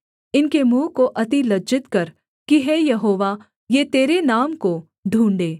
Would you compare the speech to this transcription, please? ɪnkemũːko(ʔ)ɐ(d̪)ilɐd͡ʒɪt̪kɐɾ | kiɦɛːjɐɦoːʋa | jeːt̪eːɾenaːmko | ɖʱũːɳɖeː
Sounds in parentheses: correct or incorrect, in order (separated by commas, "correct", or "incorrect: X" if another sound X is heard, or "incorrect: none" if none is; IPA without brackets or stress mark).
correct, incorrect: t̪